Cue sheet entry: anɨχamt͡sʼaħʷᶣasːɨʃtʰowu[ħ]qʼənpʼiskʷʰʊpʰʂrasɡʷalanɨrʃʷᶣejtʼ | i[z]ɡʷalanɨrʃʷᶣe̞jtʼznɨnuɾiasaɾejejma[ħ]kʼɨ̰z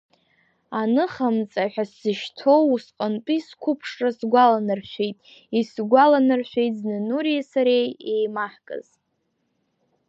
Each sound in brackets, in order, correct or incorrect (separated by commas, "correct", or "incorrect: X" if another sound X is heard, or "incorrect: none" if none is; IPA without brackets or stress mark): incorrect: s, incorrect: s, correct